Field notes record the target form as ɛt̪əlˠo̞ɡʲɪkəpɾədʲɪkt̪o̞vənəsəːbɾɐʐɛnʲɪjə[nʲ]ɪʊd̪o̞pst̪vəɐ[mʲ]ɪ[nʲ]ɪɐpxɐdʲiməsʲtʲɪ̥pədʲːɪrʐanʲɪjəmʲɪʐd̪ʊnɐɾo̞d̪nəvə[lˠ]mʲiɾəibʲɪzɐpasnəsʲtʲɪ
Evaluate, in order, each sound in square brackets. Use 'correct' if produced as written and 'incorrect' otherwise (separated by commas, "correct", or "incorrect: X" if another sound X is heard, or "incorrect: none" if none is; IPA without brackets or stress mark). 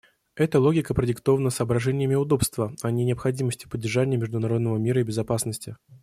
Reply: incorrect: mʲ, incorrect: nʲ, correct, incorrect: none